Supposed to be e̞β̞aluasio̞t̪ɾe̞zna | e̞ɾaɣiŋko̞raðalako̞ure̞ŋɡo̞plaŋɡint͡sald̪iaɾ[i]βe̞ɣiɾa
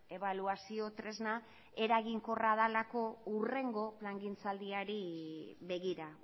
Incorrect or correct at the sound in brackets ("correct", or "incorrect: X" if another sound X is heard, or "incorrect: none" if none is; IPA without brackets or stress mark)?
correct